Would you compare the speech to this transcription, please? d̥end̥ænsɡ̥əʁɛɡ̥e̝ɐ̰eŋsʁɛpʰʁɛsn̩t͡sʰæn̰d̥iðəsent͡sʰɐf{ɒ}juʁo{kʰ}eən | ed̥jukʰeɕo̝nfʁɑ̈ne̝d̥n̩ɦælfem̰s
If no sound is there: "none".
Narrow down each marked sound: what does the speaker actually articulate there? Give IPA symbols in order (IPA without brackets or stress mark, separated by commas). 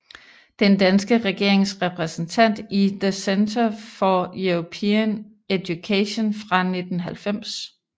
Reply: ɒ, pʰ